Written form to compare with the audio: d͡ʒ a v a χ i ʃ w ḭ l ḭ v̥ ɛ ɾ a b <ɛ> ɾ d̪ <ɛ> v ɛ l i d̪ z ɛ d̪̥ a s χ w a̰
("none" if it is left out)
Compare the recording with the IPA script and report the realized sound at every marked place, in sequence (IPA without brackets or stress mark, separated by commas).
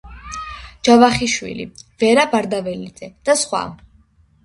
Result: a, a